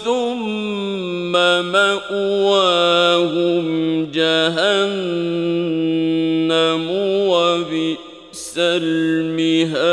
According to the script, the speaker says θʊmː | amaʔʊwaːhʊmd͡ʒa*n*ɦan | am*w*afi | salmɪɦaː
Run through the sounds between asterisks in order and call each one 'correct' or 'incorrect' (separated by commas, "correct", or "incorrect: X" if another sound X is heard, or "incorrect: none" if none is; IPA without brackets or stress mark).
incorrect: none, correct